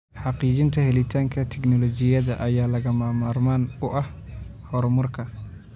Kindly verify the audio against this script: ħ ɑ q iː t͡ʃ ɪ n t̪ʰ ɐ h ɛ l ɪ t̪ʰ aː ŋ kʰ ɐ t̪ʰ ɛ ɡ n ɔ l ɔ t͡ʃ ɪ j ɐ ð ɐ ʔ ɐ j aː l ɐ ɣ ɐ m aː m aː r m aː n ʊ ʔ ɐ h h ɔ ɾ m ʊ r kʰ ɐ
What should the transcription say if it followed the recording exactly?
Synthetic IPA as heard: ħ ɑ q iː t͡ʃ ɪ n t̪ʰ ɐ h ɛ l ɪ t̪ʰ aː ŋ kʰ ɐ t̪ʰ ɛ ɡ n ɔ l ɔ t͡ʃ ɪ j ɐ ð ɐ ʔ ɐ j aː l ɐ ɣ ɐ m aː m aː r m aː n ʊ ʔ ɐ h h ɔ ɾ m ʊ r kʰ ɐ